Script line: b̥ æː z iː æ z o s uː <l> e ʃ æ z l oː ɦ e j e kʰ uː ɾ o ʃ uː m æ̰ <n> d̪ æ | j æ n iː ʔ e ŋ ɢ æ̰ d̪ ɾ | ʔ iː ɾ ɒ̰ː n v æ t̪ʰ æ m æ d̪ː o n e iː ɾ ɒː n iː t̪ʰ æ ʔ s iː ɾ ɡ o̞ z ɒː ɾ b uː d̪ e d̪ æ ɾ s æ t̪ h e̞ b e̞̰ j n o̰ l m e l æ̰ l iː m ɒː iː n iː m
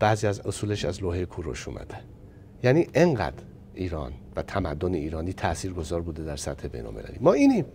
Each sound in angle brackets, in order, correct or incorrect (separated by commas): correct, incorrect